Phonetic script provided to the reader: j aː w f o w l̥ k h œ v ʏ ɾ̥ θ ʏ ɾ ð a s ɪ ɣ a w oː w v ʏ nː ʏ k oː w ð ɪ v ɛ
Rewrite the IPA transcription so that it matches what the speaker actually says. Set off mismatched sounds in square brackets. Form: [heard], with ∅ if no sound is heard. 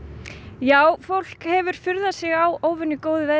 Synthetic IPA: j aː w f o w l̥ k h [ɛ] v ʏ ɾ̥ [f] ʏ ɾ ð a s ɪ ɣ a w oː w v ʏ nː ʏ k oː w ð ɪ v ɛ